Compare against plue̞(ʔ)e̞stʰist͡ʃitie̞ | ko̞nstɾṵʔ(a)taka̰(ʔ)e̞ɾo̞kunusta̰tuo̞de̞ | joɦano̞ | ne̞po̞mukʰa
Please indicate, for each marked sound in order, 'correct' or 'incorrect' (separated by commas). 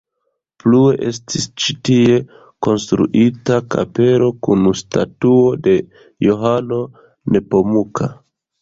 correct, incorrect, incorrect